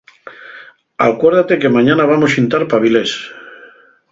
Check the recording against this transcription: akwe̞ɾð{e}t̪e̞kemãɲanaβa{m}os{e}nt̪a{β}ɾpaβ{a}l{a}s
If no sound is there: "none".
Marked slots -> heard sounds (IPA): a, m, i, none, i, e

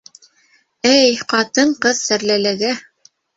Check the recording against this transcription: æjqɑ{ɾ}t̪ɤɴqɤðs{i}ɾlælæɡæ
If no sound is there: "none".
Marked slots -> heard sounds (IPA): none, æ

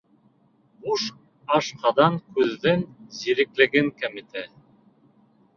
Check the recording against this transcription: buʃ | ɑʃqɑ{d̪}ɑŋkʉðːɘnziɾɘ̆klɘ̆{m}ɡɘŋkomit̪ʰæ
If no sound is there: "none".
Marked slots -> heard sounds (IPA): d̪, none

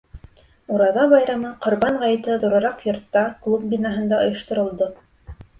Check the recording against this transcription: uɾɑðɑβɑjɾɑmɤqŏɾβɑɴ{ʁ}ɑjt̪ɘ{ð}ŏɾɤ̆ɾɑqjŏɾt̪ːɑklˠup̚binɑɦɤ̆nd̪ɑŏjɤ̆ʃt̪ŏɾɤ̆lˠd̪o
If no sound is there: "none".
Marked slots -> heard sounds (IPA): ʁ, ð

